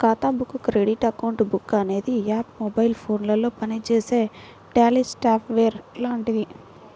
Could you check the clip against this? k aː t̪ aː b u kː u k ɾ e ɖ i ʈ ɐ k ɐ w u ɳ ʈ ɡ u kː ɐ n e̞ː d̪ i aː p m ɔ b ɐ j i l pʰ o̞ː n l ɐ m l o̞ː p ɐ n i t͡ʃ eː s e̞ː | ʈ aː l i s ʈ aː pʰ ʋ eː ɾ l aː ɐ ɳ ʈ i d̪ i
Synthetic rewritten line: k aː t̪ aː b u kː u k ɾ e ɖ i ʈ ɐ k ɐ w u ɳ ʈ b u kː ɐ n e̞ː d̪ i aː p m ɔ b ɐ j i l pʰ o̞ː n l ɐ l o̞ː p ɐ n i t͡ʃ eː s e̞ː | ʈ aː l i s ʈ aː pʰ ʋ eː ɾ l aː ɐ ɳ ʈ i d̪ i